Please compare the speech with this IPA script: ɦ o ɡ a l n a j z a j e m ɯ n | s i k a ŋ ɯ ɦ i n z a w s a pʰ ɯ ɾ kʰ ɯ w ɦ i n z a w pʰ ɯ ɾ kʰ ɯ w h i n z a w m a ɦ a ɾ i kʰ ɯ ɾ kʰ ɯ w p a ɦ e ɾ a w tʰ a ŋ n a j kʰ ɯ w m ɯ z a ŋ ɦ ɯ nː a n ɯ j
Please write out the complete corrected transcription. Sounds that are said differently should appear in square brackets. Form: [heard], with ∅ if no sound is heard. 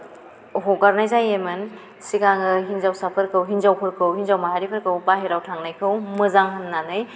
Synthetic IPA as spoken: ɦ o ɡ a [ɾ] n a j z a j e m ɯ n | s i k a ŋ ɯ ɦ i n z a w s a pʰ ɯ ɾ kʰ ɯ w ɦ i n z a w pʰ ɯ ɾ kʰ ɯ w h i n z a w m a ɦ a ɾ i [pʰ] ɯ ɾ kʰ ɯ w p a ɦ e ɾ a w tʰ a ŋ n a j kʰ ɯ w m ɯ z a ŋ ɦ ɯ nː a n ɯ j